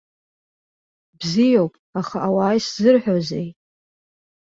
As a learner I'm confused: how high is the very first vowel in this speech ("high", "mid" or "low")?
high